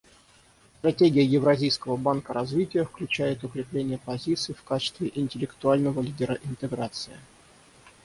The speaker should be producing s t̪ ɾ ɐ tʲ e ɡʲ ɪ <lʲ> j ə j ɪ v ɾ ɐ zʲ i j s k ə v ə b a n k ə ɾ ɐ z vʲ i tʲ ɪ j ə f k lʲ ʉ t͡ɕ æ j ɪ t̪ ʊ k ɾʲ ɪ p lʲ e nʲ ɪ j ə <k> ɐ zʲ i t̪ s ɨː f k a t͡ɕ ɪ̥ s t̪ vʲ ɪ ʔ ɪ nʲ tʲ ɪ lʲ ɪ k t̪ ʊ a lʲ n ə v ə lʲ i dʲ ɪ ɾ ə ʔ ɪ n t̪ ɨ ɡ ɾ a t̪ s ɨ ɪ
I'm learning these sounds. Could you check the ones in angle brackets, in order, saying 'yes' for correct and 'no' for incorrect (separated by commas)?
no, no